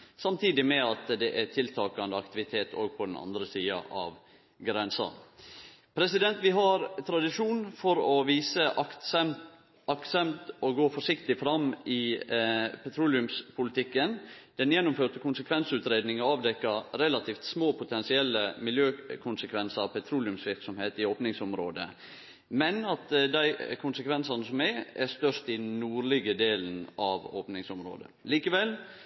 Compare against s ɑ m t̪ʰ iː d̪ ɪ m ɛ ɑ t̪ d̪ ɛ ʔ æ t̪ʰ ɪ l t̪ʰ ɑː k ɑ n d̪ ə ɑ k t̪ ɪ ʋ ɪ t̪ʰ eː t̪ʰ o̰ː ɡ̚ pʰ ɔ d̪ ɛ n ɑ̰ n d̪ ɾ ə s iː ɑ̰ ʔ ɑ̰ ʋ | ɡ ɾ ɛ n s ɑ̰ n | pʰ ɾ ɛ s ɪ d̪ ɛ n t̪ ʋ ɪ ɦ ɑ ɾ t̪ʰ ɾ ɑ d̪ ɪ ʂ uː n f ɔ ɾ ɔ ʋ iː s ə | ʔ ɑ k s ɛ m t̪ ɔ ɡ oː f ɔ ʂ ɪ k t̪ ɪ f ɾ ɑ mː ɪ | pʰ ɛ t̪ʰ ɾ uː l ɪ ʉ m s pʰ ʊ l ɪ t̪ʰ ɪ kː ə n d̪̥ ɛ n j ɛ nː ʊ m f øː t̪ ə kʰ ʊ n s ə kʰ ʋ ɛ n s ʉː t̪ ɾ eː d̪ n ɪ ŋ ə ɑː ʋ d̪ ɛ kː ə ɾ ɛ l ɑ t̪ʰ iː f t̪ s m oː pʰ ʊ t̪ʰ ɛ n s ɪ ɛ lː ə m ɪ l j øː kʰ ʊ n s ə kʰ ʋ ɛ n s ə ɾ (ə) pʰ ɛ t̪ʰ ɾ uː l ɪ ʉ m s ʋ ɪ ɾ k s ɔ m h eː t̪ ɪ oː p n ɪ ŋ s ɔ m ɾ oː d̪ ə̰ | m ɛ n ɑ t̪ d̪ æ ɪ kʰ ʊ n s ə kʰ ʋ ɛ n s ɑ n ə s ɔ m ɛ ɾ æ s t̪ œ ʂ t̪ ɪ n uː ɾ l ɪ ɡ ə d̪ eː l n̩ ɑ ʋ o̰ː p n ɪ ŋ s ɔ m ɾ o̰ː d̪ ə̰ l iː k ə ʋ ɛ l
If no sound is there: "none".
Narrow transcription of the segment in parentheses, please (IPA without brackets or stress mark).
ɑ